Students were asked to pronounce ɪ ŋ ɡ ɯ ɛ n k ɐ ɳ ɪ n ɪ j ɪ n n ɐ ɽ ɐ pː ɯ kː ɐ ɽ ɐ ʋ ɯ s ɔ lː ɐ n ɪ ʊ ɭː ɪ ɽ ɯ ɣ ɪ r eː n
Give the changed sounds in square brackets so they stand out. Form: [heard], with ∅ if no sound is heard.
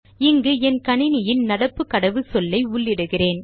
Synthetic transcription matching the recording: ɪ ŋ ɡ ɯ ɛ n k ɐ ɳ ɪ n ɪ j ɪ n n ɐ ɽ ɐ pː ɯ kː ɐ ɽ ɐ ʋ ɯ s ɔ lː ɐ [∅] ɪ ʊ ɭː ɪ ɽ ɯ ɣ ɪ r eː n